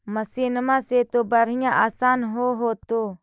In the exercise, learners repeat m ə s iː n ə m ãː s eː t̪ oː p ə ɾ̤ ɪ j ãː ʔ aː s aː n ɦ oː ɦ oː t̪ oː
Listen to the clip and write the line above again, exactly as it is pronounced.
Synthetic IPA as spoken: m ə s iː n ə m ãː s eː t̪ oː b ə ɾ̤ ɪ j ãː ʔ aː s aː n ɦ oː ɦ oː t̪ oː